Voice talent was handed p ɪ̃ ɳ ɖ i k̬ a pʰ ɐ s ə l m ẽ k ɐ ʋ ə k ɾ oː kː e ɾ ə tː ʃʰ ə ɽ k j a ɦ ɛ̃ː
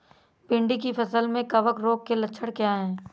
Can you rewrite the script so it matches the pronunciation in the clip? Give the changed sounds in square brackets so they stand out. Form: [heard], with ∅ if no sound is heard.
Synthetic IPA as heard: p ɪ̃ ɳ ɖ i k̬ [i] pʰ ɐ s ə l m ẽ k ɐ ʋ ə k ɾ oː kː e [l] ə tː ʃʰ ə ɽ k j a ɦ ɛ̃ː